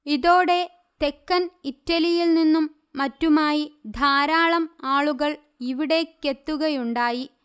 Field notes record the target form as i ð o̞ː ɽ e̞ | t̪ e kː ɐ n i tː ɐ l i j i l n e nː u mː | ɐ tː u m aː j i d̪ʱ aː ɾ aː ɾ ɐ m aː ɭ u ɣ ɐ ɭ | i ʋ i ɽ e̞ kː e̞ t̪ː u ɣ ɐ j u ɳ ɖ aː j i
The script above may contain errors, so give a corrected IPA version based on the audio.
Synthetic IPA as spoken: i ð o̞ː ɽ e̞ | t̪ e kː ɐ n i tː ɐ l i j i l n i nː u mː | ɐ tː u m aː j i d̪ʱ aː ɾ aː ɭ ɐ m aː ɭ u ɣ ɐ ɭ | i ʋ i ɽ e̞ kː e̞ t̪ː u ɣ ɐ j u ɳ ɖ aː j i